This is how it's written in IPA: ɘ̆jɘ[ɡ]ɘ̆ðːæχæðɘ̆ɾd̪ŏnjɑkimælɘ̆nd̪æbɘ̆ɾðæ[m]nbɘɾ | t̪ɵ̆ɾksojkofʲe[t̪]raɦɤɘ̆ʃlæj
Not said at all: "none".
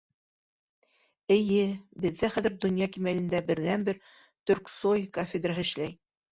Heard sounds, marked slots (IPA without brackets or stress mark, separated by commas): b, none, d̪